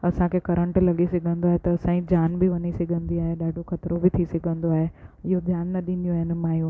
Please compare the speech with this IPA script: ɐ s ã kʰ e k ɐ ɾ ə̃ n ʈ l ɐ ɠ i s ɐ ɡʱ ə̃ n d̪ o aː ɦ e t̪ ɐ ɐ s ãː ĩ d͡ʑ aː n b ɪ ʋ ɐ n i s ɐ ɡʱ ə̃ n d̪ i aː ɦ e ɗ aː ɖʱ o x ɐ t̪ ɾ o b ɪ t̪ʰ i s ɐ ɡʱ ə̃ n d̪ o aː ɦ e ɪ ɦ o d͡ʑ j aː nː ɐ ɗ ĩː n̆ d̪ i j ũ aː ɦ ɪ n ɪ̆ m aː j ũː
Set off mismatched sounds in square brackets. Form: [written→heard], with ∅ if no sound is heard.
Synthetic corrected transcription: ɐ s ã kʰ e k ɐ ɾ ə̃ [n→ɳ] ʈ l ɐ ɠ i s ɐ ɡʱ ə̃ n d̪ o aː ɦ e t̪ ɐ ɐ s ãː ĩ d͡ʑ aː n b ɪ ʋ ɐ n i s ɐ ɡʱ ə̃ n d̪ i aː ɦ e ɗ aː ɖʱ o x ɐ t̪ ɾ o b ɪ t̪ʰ i s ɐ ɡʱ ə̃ n d̪ o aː ɦ e ɪ ɦ o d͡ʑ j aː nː ɐ ɗ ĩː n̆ d̪ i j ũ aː ɦ ɪ n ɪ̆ m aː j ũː